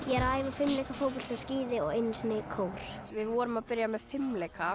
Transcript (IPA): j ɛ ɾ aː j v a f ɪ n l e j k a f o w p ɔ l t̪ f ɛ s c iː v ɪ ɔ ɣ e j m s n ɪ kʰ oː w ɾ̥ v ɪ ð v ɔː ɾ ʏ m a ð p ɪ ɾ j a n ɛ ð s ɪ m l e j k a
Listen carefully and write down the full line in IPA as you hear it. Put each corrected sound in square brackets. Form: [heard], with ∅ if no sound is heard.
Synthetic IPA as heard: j ɛ ɾ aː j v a f ɪ [m] l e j k a f o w p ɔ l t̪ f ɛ s c iː [ð] ɪ ɔ ɣ e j [n] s n ɪ kʰ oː w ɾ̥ v ɪ ð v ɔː ɾ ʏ m a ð p ɪ ɾ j a [m] ɛ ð [f] ɪ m l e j k a